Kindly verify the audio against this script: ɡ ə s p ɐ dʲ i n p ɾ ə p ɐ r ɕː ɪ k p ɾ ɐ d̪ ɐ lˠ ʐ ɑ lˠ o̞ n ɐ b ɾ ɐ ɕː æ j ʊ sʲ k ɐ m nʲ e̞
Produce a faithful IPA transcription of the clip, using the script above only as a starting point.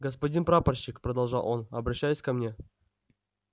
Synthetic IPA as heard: ɡ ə s p ɐ dʲ i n p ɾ a p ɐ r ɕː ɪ k p ɾ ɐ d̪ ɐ lˠ ʐ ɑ lˠ o̞ n ɐ b ɾ ɐ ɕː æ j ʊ sʲ k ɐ m nʲ e̞